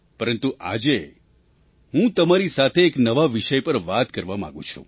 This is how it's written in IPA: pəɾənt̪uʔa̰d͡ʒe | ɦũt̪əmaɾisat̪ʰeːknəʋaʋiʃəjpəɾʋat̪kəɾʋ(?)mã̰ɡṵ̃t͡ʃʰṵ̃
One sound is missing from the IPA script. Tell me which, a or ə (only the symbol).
a